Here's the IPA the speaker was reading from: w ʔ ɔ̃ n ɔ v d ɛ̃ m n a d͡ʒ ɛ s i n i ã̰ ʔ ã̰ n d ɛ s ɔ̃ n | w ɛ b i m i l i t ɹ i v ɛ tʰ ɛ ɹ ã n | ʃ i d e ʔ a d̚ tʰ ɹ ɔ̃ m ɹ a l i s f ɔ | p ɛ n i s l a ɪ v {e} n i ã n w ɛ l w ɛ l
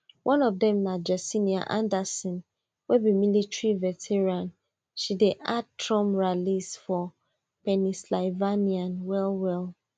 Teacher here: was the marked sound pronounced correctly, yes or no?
no